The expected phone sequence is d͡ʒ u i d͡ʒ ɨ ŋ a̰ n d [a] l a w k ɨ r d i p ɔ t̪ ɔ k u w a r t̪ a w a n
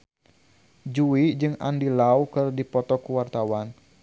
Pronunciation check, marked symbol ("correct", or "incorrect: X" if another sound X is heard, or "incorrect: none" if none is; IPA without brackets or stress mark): incorrect: i